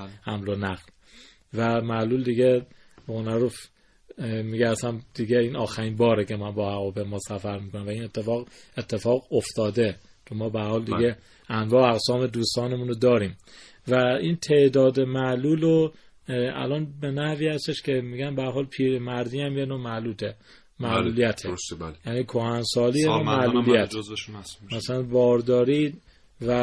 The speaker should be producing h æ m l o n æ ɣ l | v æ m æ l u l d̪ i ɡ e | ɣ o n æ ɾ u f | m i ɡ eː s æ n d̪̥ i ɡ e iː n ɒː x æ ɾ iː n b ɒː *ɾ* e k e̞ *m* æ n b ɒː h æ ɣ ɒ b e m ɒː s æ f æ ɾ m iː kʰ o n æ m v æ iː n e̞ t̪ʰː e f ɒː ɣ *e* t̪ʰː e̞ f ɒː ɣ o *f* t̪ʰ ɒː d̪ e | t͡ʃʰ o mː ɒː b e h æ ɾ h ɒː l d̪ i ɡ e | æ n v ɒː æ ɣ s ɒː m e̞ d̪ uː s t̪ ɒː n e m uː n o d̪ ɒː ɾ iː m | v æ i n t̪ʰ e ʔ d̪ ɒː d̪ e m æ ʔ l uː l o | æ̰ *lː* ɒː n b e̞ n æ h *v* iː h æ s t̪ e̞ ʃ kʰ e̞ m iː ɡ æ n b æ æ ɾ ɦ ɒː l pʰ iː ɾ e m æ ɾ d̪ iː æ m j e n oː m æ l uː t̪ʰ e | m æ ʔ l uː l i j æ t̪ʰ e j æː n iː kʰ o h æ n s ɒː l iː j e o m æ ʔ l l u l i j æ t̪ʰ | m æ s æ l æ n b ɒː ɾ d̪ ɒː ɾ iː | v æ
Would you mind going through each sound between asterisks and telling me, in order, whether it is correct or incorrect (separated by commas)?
correct, correct, correct, correct, incorrect, correct